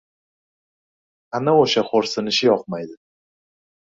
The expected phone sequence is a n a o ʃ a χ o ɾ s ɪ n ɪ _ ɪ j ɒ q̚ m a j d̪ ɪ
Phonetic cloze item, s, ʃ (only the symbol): ʃ